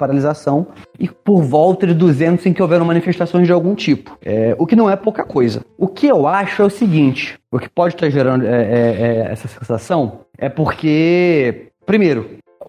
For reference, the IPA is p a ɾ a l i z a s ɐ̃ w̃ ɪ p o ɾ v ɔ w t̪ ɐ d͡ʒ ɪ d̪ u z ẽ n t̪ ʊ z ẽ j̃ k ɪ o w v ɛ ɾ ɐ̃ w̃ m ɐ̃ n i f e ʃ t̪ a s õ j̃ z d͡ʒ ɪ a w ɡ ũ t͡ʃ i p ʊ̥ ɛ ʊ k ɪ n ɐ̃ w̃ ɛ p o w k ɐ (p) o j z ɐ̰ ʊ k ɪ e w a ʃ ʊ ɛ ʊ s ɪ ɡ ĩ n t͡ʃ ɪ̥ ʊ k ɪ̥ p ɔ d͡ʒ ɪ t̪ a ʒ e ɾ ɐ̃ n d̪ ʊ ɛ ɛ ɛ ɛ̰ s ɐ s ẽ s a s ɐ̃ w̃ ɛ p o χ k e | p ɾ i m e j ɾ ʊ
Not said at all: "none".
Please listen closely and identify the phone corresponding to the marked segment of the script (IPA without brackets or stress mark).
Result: k